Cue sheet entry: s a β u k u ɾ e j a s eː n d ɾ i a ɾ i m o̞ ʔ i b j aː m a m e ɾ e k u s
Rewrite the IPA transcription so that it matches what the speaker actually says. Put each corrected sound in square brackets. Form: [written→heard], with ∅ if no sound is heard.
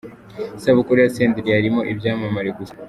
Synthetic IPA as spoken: s a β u k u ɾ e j a s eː n d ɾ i a ɾ i m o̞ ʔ i b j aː m a m [e→a] ɾ e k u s